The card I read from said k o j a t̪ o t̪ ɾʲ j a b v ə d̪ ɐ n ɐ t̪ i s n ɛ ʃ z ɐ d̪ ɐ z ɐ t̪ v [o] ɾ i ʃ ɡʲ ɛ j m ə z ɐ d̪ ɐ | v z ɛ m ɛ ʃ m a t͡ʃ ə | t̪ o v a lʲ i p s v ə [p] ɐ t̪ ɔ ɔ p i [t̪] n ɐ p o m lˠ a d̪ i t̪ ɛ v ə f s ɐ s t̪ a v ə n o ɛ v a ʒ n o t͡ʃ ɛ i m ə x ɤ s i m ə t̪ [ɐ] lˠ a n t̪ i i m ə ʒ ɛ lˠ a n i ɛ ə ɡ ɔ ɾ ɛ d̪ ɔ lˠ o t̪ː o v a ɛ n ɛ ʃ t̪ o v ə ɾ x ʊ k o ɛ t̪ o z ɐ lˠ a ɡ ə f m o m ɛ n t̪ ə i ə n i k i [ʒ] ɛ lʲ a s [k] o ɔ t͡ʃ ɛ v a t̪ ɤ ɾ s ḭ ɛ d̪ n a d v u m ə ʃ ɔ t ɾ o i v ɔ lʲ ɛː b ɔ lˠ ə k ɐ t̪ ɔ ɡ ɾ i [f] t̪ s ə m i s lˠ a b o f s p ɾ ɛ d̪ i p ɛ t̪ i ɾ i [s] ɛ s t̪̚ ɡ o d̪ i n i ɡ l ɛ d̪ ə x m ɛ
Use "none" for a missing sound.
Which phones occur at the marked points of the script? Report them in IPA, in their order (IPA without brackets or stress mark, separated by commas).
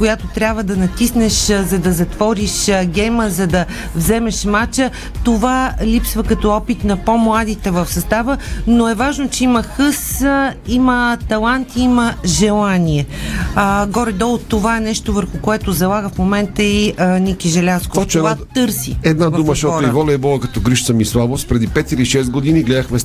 ɔ, k, t̪, ɐ, ʒ, k, ʃ, ʃ